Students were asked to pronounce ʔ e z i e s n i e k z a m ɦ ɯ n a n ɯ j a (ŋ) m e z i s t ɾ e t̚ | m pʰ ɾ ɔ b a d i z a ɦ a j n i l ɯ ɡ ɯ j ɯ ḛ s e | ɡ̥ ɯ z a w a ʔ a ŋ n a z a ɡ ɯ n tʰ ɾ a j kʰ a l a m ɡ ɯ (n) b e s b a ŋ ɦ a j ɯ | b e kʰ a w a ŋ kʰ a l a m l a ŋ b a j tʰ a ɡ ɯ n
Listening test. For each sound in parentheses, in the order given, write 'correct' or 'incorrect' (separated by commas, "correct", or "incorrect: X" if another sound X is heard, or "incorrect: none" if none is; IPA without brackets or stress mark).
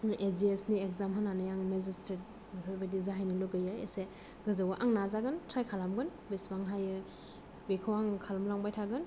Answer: correct, correct